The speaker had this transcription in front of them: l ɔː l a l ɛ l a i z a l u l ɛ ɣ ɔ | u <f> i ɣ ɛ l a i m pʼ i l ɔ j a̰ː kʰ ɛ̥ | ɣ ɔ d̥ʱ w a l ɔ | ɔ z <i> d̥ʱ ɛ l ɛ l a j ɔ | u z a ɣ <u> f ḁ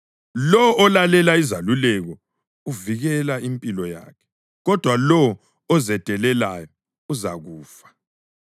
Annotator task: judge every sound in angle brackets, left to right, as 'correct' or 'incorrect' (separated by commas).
incorrect, incorrect, incorrect